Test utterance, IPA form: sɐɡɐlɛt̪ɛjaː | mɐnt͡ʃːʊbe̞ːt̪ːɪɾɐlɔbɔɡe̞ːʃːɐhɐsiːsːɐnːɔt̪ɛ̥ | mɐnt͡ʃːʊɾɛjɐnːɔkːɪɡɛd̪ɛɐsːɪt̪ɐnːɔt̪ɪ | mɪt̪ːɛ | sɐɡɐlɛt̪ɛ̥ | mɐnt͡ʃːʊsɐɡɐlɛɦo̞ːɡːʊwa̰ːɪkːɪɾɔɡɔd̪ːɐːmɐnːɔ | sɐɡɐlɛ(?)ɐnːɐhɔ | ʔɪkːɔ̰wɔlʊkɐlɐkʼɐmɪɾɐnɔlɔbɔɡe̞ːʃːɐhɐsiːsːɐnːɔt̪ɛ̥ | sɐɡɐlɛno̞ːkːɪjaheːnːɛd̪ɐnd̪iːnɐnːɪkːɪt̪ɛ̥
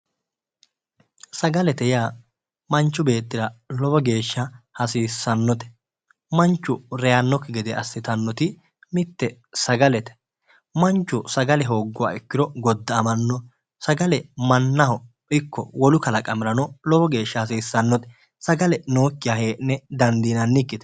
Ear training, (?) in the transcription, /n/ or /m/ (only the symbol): m